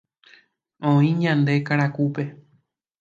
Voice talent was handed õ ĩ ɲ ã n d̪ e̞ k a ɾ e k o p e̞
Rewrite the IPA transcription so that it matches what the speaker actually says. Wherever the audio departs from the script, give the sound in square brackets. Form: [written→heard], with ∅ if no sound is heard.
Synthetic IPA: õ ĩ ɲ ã n d̪ e̞ k a ɾ [e→a] k [o→u] p e̞

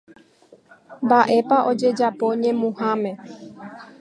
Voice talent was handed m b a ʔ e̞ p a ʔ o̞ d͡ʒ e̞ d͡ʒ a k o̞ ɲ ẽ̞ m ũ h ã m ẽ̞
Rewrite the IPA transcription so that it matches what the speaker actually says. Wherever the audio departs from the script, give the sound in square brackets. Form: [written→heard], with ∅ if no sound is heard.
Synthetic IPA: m b a ʔ e̞ p a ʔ o̞ d͡ʒ e̞ d͡ʒ a [k→p] o̞ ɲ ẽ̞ m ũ h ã m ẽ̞

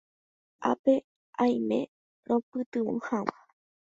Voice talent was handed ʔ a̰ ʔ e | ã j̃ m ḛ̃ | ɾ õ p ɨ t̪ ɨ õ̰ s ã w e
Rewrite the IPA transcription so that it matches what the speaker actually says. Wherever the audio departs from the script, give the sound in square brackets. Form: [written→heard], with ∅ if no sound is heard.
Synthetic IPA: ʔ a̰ [ʔ→p] e | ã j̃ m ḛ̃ | ɾ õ p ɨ t̪ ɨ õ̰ [s→h] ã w [e→a]

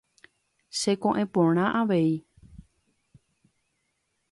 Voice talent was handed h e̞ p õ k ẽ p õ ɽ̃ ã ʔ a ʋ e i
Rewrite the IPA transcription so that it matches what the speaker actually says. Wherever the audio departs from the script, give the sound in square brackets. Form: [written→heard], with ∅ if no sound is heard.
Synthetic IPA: [h→ʃ] e̞ [p→k] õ [k→ʔ] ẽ p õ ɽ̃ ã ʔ a ʋ e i

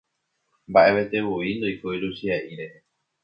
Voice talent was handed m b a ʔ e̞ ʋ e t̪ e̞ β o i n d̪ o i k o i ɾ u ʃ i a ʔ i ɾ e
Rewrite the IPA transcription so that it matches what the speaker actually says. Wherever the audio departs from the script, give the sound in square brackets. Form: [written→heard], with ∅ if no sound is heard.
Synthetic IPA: m b a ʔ e̞ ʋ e t̪ e̞ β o i n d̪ o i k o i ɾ u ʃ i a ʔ i ɾ e

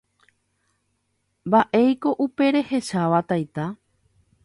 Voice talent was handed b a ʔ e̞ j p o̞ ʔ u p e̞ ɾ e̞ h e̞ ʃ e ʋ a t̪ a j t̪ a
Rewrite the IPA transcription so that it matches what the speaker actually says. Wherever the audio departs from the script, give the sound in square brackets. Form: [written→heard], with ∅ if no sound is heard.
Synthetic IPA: b a ʔ e̞ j [p→k] o̞ ʔ u p e̞ ɾ e̞ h e̞ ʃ [e→a] ʋ a t̪ a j t̪ a

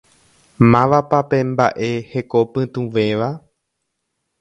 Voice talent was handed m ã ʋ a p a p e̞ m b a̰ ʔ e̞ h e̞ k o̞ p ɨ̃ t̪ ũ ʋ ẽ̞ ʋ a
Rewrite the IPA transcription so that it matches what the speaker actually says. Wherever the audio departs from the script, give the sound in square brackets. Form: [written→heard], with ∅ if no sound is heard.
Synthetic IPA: m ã ʋ a p a p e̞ m b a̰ ʔ e̞ h e̞ k o̞ p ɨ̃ t̪ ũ ʋ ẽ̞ ʋ a

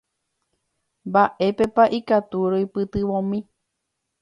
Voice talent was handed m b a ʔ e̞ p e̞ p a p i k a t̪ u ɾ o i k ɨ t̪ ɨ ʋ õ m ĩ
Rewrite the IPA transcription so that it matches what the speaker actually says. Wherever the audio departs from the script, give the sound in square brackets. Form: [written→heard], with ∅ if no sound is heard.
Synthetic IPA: m b a ʔ e̞ p e̞ p a [p→ʔ] i k a t̪ u ɾ o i [k→p] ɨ t̪ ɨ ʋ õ m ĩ

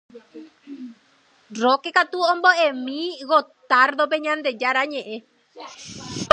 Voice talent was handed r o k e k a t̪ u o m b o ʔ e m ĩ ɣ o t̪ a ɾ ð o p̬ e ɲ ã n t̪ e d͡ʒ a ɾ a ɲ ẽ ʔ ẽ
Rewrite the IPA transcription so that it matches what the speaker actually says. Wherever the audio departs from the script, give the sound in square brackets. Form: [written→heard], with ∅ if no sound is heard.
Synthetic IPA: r o k e k a t̪ u o m b o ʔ e m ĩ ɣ o t̪ a ɾ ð o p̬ e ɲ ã n [t̪→d̪] e d͡ʒ a ɾ a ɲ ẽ ʔ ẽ

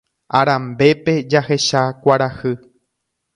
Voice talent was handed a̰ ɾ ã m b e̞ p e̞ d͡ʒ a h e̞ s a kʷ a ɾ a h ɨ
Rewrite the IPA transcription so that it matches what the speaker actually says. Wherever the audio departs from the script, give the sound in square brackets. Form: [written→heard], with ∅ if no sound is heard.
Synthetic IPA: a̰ ɾ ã m b e̞ p e̞ d͡ʒ a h e̞ [s→ʃ] a kʷ a ɾ a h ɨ

